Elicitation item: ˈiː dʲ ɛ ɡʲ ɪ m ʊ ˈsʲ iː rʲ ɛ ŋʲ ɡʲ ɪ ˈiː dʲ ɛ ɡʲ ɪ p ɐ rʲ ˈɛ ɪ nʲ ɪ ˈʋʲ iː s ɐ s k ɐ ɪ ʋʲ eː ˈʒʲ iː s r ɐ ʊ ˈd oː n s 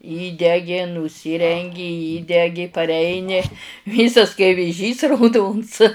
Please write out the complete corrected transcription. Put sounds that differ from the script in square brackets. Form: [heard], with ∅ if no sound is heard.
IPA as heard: ˈiː dʲ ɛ ɡʲ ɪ [n] ʊ ˈsʲ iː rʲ ɛ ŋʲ ɡʲ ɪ ˈiː dʲ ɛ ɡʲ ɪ p ɐ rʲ ˈɛ ɪ nʲ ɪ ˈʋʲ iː s ɐ s k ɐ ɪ ʋʲ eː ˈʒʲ iː s r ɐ ʊ ˈd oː n s